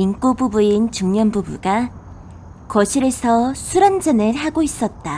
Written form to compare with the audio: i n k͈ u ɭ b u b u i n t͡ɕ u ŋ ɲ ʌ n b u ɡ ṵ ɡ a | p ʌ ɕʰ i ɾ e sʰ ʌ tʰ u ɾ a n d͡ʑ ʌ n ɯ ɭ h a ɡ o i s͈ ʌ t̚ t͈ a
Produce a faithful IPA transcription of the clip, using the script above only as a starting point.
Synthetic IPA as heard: i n k͈ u b u b u i n t͡ɕ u ŋ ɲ ʌ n b u b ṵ ɡ a | k ʌ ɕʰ i ɾ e sʰ ʌ sʰ u ɾ a n d͡ʑ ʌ n ɯ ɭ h a ɡ o i s͈ ʌ t̚ t͈ a

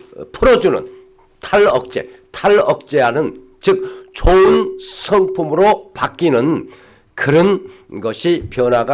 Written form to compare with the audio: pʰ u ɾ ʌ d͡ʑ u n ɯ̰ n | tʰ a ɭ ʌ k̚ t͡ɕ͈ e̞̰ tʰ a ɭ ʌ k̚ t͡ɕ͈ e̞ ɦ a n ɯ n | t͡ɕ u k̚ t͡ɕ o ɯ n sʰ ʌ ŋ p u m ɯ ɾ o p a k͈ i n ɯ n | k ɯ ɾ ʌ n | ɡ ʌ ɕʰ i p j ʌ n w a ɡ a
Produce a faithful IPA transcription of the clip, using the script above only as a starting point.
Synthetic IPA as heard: pʰ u ɾ ʌ d͡ʑ u n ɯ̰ n | tʰ a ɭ ʌ k̚ t͡ɕ͈ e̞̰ tʰ a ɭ ʌ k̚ t͡ɕ͈ e̞ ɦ a n ɯ n | t͡ɕ ɯ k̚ t͡ɕ o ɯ n sʰ ʌ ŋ pʰ u m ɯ ɾ o p a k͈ i n ɯ n | k ɯ ɾ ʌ n | ɡ ʌ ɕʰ i p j ʌ n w a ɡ a

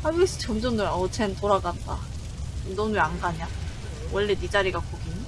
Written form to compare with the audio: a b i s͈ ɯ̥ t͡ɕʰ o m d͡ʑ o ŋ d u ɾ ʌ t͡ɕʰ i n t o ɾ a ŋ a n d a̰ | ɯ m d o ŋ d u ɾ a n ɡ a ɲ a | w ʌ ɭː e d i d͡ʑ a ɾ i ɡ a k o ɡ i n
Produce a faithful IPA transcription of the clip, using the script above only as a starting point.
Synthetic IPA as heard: a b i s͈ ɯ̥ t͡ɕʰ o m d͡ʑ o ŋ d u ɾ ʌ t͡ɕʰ e n t o ɾ a ɡ a n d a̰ | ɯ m d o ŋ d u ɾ a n ɡ a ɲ a | w ʌ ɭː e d i d͡ʑ a ɾ i ɡ a k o ɡ i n

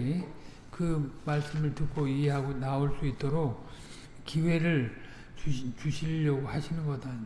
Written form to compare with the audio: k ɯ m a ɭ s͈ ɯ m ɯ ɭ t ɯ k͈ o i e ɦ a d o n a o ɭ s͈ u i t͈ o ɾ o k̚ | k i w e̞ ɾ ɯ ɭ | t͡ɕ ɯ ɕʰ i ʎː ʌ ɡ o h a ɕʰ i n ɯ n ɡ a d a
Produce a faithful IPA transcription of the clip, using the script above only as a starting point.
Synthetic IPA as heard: k ɯ m a ɭ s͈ ɯ m ɯ ɭ t ɯ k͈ o i e ɦ a ɡ o n a o ɭ s͈ u i t͈ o ɾ o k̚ | k i w e̞ ɾ ɯ ɭ | t͡ɕ u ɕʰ i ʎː ʌ ɡ o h a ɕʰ i n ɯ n ɡ ʌ d a

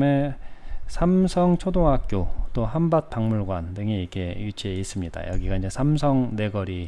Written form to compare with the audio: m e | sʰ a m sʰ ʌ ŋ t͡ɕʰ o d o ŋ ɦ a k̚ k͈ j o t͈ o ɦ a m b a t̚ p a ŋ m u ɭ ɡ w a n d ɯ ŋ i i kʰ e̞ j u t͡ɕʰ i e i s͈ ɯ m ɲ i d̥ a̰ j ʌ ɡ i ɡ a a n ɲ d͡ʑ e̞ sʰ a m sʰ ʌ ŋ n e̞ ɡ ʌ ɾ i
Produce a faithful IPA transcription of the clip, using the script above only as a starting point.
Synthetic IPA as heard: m e | sʰ a m sʰ ʌ ŋ t͡ɕʰ o d o ŋ ɦ a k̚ k͈ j o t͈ o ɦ a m b a t̚ p a ŋ m u ɭ ɡ w a n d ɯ ŋ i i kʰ e̞ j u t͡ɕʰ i e i s͈ ɯ m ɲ i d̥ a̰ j ʌ ɡ i ɡ a i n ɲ d͡ʑ e̞ sʰ a m sʰ ʌ ŋ n e̞ ɡ ʌ ɾ i

